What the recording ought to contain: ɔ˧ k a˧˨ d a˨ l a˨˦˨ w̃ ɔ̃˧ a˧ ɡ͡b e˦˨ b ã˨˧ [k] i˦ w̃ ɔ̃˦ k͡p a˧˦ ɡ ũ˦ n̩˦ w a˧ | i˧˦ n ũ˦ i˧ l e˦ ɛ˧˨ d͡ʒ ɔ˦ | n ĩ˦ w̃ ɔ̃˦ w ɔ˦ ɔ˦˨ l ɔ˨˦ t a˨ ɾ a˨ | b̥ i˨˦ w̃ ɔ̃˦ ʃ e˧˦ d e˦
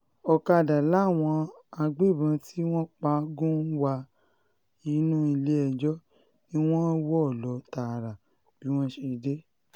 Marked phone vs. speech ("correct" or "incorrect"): incorrect